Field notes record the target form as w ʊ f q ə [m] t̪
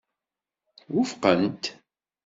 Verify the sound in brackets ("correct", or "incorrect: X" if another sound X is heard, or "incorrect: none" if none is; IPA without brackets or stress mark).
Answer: incorrect: n